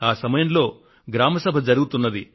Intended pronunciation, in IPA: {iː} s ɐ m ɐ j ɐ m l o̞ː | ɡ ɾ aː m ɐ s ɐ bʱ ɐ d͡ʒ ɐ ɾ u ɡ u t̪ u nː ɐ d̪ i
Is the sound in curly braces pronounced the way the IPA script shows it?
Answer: no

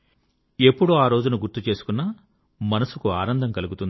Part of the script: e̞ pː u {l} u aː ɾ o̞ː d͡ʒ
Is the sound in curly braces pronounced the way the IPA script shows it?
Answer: no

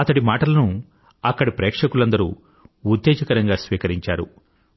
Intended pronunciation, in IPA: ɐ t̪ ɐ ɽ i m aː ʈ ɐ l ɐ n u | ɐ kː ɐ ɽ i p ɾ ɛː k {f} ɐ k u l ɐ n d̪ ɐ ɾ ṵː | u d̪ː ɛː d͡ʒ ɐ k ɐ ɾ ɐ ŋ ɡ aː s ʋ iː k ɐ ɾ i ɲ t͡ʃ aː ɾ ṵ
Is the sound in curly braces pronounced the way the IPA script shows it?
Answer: no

